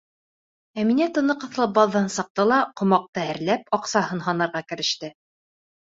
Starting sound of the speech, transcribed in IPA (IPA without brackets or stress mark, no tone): æ